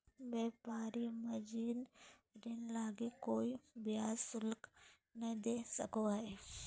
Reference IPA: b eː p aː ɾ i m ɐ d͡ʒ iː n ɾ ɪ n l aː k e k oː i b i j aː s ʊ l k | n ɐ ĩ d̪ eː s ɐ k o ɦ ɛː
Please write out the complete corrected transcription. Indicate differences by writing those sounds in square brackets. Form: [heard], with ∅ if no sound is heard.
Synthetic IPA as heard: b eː p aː ɾ i m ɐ d͡ʒ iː n ɾ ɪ n l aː [ɡ] e k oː i b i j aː s ʊ l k | n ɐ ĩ d̪ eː s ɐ k o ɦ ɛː